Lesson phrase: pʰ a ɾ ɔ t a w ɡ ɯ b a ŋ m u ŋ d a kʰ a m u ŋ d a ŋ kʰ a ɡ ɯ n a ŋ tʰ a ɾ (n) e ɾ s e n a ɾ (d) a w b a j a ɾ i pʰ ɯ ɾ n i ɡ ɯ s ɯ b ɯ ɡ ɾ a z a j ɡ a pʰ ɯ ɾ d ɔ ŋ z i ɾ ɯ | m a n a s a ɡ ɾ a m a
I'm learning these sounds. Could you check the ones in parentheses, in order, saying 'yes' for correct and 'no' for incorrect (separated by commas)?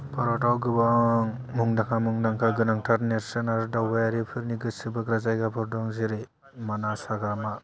yes, yes